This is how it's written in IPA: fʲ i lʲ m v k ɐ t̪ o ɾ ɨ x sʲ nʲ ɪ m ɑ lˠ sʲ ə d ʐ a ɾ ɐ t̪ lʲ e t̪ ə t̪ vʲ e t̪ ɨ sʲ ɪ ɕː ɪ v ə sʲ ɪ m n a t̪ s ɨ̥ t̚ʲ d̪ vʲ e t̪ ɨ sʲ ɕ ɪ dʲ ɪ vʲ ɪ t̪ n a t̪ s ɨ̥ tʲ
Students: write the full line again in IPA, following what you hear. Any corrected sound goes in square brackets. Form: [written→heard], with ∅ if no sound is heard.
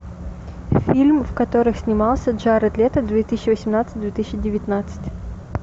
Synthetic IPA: fʲ i lʲ m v k ɐ t̪ o ɾ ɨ x sʲ nʲ ɪ m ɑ lˠ sʲ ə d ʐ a ɾ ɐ t̪ lʲ e t̪ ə [t̪→d̪] vʲ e t̪ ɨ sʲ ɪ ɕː ɪ v ə sʲ ɪ m n a t̪ s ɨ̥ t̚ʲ d̪ vʲ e t̪ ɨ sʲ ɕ ɪ dʲ ɪ vʲ ɪ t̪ n a t̪ s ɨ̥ tʲ

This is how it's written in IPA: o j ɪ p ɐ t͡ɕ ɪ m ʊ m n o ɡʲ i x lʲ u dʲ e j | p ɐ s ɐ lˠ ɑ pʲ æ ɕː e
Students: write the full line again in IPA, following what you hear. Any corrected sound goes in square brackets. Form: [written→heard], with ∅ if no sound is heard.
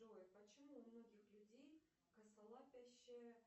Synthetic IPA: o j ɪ p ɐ t͡ɕ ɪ m [ʊ→u] m n o ɡʲ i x lʲ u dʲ e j | [p→k] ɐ s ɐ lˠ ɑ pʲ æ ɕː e

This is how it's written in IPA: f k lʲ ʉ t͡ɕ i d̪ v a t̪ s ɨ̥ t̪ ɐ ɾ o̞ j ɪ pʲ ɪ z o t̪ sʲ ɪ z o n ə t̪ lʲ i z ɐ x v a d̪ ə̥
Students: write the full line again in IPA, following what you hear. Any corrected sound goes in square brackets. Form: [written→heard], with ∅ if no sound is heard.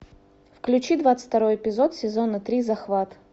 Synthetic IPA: f k lʲ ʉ t͡ɕ i d̪ v a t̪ s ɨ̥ t̪ ɐ ɾ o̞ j ɪ pʲ ɪ z o t̪ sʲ ɪ z o n ə t̪ [lʲ→ɾʲ] i z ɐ x v a [d̪→t̪] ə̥

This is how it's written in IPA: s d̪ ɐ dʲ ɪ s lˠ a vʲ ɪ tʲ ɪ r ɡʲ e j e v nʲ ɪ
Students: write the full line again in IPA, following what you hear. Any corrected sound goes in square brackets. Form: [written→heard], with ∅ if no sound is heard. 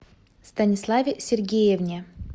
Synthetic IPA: s [d̪→t̪] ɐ [dʲ→nʲ] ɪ s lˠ a vʲ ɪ [tʲ→sʲ] ɪ r ɡʲ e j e v nʲ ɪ

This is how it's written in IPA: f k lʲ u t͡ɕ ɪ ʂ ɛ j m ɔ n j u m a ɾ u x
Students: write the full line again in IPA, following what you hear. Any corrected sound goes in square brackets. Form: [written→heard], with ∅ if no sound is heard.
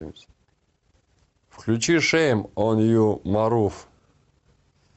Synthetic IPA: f k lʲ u t͡ɕ [ɪ→i] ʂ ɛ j m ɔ n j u m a ɾ u [x→f]

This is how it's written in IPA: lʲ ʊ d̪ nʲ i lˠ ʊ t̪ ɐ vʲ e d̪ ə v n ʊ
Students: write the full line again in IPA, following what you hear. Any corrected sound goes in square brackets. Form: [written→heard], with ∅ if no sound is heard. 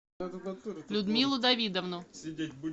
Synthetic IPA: lʲ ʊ d̪ [nʲ→mʲ] i lˠ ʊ [t̪→d̪] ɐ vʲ [e→i] d̪ ə v n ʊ

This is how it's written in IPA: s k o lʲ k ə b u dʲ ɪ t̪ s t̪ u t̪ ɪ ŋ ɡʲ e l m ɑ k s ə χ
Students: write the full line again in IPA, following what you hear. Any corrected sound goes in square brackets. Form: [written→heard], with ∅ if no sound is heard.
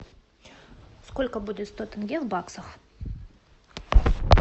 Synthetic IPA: s k o lʲ k ə b u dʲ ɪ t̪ s t̪ [u→o] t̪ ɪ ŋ ɡʲ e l [m→b] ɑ k s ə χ

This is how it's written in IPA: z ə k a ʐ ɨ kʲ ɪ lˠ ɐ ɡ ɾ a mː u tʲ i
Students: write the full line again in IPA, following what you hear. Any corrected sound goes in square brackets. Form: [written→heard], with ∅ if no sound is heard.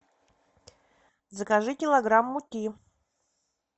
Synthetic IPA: z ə k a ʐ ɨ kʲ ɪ lˠ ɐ ɡ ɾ a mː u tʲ i

